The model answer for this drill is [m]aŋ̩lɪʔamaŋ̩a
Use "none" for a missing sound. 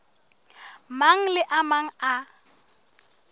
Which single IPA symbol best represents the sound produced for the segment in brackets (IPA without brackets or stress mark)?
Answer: m